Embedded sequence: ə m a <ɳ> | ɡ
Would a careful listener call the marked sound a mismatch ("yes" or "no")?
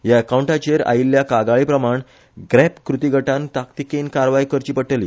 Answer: no